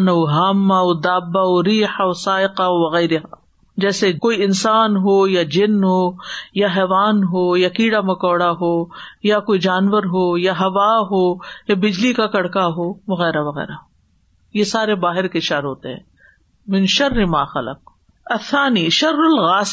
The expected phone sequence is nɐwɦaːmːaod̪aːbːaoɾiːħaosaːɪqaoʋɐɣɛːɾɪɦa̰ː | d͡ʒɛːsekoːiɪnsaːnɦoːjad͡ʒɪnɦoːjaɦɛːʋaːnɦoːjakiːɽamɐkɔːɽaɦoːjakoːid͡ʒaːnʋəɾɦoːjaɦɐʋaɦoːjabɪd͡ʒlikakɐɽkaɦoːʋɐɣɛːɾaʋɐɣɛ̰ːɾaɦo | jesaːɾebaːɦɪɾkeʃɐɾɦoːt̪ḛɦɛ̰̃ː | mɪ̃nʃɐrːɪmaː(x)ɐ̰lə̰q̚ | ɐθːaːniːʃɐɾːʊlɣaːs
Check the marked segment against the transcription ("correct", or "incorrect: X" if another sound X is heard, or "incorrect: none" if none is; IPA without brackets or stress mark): correct